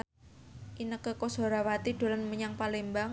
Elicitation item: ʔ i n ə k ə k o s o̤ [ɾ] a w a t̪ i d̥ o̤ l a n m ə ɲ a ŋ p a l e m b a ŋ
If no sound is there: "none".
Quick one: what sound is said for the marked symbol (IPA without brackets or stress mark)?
ɾ